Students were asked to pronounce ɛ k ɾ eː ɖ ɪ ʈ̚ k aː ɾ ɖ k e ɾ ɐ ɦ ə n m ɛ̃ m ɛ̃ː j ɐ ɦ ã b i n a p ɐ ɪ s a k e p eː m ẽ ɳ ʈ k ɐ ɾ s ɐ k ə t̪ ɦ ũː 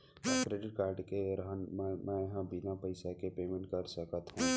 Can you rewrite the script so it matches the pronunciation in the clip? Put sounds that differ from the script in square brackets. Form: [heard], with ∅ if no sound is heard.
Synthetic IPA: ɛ k ɾ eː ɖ ɪ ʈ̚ k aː ɾ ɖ k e ɾ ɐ ɦ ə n m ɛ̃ m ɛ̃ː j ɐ ɦ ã b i n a p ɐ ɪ s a k e p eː m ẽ ɳ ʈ k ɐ ɾ s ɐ k ə t̪ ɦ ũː